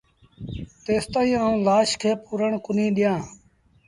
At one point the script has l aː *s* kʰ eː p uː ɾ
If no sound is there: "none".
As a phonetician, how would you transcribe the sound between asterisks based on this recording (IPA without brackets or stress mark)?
ʃ